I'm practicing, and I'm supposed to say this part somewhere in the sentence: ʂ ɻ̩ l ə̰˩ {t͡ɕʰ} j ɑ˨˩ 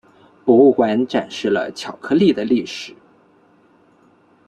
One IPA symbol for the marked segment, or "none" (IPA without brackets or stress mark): t͡ɕʰ